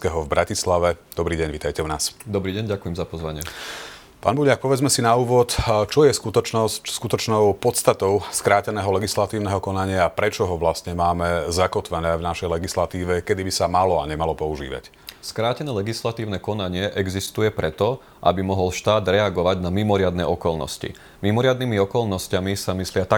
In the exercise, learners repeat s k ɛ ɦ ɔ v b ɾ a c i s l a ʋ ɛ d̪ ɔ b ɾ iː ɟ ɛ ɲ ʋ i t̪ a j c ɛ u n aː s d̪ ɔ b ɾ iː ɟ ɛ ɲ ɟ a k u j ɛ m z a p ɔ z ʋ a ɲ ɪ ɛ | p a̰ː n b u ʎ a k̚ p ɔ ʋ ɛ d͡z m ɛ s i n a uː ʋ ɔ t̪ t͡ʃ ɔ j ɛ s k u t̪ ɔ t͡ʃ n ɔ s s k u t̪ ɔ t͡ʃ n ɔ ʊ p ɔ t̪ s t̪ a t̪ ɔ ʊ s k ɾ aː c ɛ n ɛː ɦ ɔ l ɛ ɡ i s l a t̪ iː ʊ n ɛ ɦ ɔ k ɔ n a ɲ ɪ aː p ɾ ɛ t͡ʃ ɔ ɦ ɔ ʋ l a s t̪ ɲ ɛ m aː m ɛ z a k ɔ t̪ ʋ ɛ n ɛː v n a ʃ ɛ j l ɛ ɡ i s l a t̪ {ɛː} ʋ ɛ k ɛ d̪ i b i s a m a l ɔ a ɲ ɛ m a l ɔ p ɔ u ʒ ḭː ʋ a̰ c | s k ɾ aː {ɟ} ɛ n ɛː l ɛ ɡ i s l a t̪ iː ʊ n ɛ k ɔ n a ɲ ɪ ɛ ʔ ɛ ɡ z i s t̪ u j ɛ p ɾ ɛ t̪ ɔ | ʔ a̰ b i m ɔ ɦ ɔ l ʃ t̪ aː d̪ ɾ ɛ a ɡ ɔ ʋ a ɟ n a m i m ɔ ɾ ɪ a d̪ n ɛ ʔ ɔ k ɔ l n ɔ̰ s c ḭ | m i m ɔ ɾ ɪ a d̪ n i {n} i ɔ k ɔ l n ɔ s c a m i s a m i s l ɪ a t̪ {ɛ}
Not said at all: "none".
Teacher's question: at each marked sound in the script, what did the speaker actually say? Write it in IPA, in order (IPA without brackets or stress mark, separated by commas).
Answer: iː, c, m, a